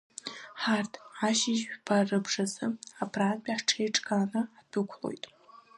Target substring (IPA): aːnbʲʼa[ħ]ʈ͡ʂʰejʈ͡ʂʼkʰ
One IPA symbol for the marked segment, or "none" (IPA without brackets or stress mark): ħ